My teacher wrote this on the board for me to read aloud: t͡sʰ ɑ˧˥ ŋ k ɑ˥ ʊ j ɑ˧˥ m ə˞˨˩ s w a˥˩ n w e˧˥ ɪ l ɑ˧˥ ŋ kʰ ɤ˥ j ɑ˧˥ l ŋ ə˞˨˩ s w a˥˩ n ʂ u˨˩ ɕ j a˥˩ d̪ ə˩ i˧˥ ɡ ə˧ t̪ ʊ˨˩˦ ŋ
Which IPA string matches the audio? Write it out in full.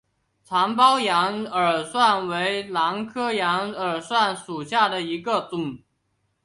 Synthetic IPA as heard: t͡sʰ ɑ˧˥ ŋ p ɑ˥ ʊ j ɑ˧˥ ŋ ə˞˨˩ s w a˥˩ n w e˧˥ ɪ l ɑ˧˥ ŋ kʰ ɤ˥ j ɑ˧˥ ŋ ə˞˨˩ s w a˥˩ n ʂ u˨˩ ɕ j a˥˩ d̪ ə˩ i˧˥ ɡ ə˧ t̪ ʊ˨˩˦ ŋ